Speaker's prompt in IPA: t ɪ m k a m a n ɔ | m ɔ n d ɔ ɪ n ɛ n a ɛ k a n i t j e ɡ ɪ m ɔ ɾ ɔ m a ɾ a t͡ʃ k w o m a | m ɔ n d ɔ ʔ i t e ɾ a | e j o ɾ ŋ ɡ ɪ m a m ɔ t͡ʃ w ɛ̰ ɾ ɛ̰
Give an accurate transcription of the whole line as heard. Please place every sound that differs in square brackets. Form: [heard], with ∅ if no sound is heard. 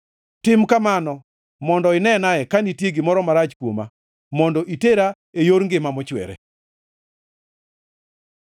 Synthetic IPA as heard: t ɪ m k a m a n ɔ | m ɔ n d ɔ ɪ n ɛ n a ɛ k a n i t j e ɡ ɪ m ɔ ɾ ɔ m a ɾ a t͡ʃ k w o m a | m ɔ n d ɔ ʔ i t e ɾ a | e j o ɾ ŋ ɡ ɪ m a m ɔ t͡ʃ w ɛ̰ ɾ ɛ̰